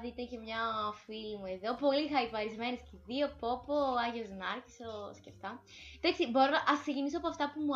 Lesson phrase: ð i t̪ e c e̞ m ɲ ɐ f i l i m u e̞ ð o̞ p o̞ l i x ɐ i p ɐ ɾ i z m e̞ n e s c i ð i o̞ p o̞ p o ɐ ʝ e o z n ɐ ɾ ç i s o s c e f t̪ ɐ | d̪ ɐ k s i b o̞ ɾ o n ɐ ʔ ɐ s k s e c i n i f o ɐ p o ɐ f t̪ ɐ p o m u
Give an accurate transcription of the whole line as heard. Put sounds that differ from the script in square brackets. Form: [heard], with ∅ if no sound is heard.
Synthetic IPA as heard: ð i t̪ e c e̞ m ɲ ɐ f i l i m u e̞ ð o̞ p o̞ l i x ɐ i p ɐ ɾ i z m e̞ n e s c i ð i o̞ p o̞ p o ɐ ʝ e o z n ɐ ɾ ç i s o s c e f t̪ ɐ | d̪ ɐ k s i b o̞ ɾ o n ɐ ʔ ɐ s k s e c i n i [s] o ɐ p o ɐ f t̪ ɐ p [u] m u